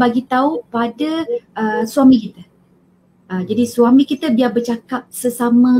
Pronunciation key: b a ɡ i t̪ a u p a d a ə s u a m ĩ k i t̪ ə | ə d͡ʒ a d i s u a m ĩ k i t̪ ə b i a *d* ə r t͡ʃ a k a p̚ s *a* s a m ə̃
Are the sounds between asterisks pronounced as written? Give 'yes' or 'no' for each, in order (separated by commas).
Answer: no, no